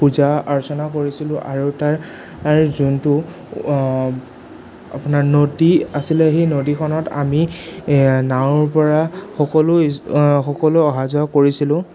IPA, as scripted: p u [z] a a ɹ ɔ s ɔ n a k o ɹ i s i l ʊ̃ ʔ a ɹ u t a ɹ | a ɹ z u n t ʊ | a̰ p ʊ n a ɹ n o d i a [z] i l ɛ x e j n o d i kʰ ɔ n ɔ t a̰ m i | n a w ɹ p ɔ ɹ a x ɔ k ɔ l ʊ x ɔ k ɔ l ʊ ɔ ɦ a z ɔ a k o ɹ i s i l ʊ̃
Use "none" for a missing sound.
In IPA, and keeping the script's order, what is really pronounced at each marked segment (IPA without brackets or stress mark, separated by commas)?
z, s